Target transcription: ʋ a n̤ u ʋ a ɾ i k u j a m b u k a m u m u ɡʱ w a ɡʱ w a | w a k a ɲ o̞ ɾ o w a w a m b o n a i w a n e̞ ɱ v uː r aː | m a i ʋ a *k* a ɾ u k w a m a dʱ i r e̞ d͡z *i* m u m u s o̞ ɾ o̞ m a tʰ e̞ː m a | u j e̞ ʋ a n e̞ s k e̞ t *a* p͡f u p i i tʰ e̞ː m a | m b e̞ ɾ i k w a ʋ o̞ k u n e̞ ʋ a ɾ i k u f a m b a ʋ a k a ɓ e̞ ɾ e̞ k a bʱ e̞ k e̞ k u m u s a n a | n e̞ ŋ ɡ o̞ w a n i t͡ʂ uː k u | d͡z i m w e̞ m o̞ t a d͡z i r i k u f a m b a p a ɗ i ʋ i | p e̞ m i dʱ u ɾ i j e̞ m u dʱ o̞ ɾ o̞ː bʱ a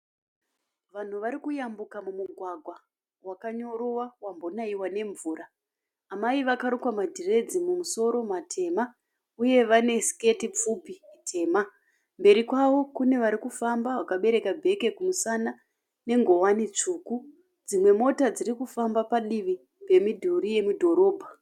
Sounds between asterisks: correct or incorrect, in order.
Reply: correct, correct, incorrect: i

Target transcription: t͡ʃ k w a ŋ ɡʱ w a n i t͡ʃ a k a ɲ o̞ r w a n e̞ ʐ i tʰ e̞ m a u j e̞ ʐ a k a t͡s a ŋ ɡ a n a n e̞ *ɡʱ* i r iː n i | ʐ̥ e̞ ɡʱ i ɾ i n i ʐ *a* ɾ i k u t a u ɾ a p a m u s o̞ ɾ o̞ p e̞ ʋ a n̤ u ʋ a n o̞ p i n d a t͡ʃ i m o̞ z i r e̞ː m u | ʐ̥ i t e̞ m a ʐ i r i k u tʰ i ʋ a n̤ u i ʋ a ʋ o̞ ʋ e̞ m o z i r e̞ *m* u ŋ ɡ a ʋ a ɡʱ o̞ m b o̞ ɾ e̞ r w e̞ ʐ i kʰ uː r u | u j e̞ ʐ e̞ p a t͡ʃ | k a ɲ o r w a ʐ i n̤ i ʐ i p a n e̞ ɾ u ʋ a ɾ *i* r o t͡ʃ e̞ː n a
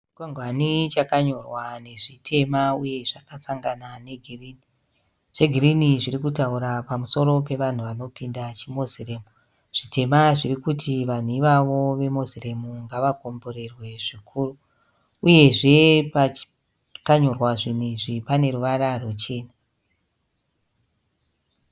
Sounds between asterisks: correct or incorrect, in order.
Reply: correct, incorrect: i, correct, incorrect: a

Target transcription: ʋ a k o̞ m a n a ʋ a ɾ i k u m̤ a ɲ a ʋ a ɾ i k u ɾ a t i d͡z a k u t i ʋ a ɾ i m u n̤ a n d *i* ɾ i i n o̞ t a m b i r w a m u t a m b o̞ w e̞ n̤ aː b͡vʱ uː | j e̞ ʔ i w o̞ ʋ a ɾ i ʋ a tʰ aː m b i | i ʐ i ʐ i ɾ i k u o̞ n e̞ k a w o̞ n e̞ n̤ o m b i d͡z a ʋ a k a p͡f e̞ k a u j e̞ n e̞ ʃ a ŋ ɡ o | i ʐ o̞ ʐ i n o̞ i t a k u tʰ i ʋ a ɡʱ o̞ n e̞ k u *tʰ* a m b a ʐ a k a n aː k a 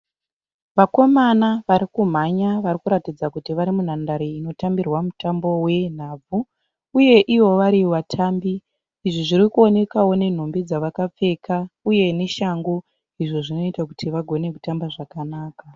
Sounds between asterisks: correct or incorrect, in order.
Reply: incorrect: a, incorrect: t

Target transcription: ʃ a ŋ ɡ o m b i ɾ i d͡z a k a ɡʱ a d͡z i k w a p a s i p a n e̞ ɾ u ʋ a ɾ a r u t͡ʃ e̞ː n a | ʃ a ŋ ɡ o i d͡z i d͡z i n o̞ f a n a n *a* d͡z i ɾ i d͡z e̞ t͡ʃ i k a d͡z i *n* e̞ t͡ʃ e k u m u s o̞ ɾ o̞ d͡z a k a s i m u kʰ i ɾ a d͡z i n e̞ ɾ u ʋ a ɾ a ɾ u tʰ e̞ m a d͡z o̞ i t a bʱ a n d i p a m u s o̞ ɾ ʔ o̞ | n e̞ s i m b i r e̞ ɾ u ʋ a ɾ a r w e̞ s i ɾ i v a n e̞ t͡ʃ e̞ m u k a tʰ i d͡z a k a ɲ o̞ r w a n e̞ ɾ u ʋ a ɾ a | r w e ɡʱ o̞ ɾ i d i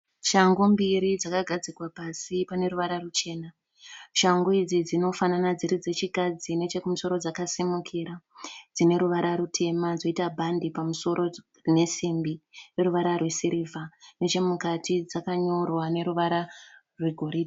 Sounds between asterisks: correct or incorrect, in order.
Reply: correct, correct

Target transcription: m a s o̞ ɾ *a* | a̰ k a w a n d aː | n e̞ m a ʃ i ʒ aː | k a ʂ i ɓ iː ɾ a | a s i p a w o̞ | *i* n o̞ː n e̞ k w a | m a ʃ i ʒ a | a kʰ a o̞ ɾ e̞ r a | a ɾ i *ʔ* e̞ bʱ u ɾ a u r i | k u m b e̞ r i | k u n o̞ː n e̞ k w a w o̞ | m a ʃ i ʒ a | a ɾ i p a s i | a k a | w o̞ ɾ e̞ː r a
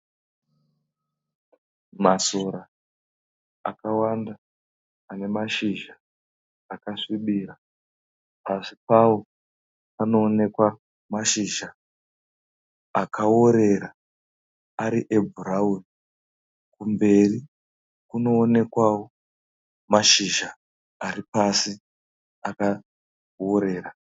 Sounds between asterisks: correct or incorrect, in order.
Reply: correct, incorrect: a, correct

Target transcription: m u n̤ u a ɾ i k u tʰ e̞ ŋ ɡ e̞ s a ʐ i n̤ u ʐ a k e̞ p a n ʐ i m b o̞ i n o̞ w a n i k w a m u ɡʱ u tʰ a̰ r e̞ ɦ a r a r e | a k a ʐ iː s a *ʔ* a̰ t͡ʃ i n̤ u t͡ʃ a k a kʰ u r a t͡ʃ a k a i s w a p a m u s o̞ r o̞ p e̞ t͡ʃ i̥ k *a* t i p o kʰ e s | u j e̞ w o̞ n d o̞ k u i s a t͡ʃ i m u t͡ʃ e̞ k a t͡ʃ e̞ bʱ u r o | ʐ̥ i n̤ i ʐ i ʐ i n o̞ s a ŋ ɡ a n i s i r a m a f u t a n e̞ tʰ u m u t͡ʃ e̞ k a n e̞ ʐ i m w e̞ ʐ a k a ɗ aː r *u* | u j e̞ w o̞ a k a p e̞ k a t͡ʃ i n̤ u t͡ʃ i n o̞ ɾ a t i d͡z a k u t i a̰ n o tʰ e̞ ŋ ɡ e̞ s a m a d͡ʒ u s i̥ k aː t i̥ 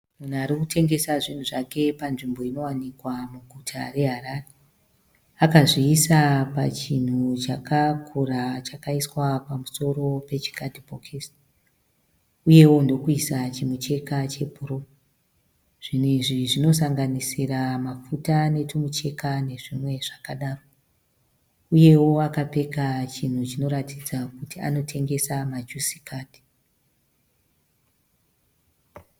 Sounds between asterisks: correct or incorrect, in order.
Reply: incorrect: p, correct, incorrect: o

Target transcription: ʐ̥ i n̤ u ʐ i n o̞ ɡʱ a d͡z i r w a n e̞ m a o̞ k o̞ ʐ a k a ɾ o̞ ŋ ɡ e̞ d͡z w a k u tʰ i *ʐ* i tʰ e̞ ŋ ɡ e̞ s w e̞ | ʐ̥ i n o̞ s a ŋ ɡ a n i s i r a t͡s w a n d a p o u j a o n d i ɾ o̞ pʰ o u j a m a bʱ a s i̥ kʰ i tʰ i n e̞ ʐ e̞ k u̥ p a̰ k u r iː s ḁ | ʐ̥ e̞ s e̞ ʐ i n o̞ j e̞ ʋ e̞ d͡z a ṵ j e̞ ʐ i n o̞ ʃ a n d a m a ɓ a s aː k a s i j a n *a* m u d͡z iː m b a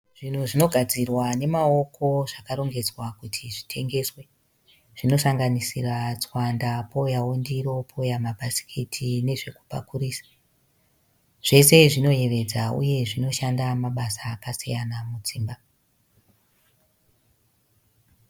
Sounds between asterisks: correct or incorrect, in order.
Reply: correct, correct

